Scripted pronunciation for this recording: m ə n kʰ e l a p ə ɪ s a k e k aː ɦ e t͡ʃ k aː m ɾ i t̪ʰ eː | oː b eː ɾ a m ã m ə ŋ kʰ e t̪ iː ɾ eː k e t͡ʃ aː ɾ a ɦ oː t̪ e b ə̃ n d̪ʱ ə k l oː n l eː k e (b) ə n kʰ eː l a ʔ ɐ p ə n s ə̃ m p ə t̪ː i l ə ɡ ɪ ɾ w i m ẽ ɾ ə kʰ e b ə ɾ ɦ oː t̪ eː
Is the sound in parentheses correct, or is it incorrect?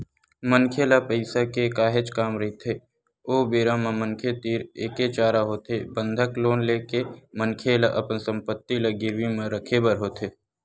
incorrect